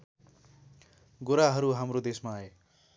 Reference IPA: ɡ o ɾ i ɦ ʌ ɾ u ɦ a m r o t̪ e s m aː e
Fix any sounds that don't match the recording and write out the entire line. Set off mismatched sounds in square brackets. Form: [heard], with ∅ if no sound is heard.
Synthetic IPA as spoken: ɡ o ɾ [a] ɦ ʌ ɾ u ɦ a m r o [d̪] e s m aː e